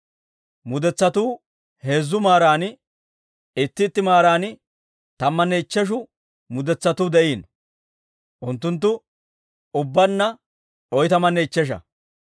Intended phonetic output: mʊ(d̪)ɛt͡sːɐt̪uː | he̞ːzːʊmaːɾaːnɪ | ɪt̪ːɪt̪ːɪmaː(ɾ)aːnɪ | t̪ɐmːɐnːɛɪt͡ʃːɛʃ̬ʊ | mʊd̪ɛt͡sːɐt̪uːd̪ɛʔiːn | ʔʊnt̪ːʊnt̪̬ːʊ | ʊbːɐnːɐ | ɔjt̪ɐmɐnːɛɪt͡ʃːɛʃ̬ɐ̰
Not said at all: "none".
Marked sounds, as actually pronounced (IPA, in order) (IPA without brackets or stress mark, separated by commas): d̪, ɾ